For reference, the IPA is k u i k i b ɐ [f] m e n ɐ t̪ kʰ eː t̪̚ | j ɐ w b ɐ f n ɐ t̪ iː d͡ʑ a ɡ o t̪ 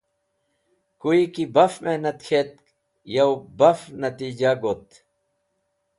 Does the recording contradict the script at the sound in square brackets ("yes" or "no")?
no